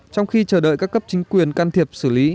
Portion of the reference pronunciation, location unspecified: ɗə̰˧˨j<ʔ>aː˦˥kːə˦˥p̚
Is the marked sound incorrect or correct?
incorrect